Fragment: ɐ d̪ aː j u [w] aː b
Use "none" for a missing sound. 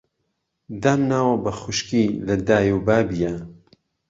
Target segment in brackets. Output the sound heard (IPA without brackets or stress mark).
b